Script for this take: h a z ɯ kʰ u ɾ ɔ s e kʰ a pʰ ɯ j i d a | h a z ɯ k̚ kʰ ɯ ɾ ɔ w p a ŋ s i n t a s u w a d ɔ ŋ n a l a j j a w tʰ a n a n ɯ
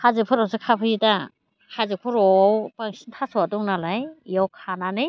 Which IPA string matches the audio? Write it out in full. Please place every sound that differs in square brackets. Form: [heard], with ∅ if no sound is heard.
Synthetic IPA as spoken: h a z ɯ [pʰ] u ɾ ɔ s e kʰ a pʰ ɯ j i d a | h a z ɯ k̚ [pʰ] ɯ ɾ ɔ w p a ŋ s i n [tʰ] a s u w a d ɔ ŋ n a l a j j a w [kʰ] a n a n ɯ